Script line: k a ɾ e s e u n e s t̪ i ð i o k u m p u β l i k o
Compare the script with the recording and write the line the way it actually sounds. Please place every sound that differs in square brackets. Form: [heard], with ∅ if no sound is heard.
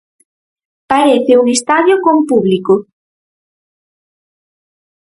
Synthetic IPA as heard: [p] a ɾ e [θ] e u [ŋ] e s t̪ [a] ð [j] o k [o] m p u β l i k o